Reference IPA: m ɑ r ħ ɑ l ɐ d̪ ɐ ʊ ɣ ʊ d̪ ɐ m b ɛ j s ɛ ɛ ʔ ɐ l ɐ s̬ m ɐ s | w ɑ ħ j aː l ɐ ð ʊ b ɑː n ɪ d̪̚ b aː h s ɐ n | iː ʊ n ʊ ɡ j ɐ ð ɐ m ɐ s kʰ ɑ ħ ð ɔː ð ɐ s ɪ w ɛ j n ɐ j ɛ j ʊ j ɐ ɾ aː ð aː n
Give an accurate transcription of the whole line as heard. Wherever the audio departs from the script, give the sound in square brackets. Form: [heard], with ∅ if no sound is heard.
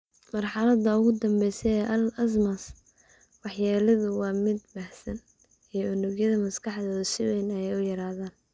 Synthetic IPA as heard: m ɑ r ħ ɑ l ɐ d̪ ɐ ʊ ɣ ʊ d̪ ɐ m b ɛ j s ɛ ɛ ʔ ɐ l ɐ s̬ m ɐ s | w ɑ ħ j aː l ɐ ð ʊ [w] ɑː [m] ɪ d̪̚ b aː h s ɐ n | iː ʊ n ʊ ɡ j ɐ ð ɐ m ɐ s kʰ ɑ ħ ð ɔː ð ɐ s ɪ w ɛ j n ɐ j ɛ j ʊ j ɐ ɾ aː ð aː n